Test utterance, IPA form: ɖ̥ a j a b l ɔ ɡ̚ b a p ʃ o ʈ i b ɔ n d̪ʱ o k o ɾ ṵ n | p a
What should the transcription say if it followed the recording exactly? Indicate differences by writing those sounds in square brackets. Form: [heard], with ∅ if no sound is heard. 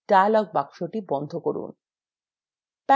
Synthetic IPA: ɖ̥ a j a [∅] l ɔ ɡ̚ b a [k] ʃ o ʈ i b ɔ n d̪ʱ o k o ɾ ṵ n | p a